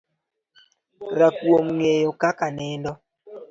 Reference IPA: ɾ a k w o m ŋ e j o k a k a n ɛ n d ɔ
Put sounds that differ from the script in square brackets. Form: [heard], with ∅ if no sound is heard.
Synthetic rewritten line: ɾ a k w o m ŋ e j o k a k a n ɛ n d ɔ